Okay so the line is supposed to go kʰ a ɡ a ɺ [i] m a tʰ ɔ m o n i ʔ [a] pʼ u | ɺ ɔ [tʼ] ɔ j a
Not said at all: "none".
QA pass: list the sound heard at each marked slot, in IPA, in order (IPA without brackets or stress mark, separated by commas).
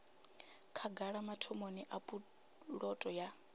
a, a, tʼ